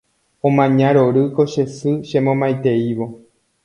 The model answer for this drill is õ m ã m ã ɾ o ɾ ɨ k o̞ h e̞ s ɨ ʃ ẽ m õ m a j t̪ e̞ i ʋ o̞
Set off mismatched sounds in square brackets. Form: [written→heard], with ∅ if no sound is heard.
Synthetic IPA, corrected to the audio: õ m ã [m→ɲ] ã ɾ o ɾ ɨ k o̞ [h→ʃ] e̞ s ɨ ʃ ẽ m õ m a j t̪ e̞ i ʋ o̞